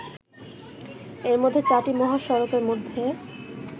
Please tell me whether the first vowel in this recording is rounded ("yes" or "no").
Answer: no